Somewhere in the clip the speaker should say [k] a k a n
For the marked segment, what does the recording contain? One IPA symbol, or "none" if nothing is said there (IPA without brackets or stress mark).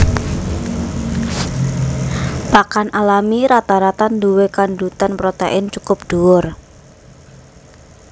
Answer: p